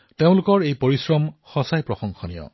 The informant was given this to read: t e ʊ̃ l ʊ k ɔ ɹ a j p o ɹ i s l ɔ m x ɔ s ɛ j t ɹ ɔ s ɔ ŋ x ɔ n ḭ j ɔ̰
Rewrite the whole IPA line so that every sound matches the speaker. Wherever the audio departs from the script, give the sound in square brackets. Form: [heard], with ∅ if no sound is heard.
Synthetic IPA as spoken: t e ʊ̃ l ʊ k ɔ ɹ [e] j p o ɹ i s [ɹ] ɔ m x ɔ s [a] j [p] ɹ ɔ [x] ɔ ŋ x ɔ n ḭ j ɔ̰